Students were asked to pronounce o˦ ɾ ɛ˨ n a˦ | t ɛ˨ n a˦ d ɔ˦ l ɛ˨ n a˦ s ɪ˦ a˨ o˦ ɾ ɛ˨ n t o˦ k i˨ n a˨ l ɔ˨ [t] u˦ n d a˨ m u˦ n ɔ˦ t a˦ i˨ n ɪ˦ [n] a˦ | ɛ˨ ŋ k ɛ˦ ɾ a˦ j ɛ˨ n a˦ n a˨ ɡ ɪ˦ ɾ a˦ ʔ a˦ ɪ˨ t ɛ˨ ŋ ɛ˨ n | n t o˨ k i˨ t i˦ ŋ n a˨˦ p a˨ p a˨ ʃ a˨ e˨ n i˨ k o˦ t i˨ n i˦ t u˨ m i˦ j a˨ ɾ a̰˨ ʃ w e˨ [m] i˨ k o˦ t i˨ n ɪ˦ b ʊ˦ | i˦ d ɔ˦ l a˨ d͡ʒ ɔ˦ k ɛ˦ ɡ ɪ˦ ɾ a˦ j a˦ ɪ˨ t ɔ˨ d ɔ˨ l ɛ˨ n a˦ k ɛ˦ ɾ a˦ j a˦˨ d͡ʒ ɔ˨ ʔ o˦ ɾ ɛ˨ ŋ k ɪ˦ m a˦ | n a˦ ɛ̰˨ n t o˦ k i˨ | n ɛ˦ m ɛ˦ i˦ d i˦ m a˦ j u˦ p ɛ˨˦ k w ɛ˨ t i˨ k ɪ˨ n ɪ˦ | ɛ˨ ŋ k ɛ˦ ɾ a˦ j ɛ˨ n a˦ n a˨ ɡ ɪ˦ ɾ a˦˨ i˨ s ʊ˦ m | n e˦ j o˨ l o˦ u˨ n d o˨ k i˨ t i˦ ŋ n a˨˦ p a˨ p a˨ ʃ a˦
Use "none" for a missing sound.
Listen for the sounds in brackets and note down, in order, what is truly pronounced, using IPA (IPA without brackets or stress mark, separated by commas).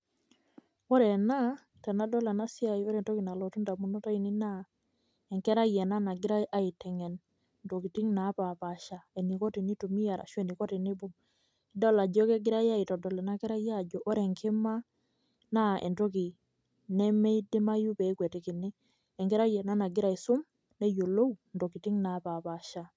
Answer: t, n, n